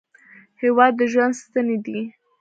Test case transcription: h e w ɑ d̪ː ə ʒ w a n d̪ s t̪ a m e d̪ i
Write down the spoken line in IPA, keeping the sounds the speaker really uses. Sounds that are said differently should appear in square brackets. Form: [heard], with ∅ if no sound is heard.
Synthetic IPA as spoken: h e w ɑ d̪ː ə ʒ w a n d̪ s t̪ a [n] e d̪ i